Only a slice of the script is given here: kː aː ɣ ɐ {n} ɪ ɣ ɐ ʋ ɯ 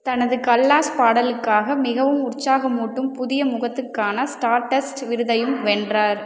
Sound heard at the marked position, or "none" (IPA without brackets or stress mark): m